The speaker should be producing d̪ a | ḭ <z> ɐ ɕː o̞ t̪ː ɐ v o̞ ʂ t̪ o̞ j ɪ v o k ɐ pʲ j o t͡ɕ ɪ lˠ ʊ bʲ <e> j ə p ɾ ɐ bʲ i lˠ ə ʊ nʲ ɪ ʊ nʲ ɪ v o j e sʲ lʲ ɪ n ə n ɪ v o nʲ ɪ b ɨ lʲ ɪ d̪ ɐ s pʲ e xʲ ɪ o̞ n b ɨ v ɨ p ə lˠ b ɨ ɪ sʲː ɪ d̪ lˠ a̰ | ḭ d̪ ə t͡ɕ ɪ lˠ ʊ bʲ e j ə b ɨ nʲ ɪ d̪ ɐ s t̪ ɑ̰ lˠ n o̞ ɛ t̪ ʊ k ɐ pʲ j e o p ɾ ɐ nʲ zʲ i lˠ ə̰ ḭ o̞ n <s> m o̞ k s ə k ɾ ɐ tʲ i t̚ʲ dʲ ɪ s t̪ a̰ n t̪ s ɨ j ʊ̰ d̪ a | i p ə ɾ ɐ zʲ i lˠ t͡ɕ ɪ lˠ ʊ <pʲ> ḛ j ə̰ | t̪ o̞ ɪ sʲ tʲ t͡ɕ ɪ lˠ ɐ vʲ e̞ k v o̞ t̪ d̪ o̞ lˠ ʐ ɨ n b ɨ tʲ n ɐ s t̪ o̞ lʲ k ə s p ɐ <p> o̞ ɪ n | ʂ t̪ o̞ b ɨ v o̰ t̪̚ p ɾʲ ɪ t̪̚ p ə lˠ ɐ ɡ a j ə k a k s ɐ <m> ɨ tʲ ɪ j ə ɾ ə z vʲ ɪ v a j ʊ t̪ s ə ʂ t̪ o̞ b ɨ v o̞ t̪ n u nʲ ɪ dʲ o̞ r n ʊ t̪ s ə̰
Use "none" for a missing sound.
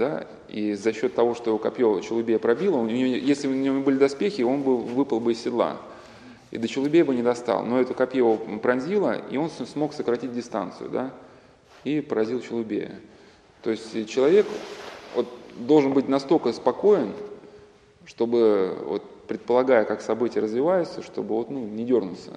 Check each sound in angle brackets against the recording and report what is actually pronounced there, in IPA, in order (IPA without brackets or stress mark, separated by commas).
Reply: z, e, s, bʲ, k, b